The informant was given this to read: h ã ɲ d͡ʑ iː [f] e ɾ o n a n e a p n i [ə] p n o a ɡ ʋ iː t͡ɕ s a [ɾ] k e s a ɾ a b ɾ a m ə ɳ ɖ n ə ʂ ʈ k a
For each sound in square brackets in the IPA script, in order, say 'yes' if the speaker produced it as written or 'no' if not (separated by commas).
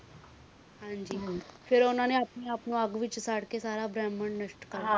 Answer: yes, no, no